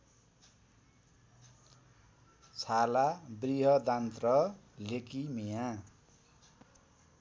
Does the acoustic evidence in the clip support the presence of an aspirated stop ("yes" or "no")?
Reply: yes